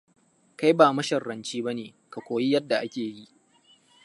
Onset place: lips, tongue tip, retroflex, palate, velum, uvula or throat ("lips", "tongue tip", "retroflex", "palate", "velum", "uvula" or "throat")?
velum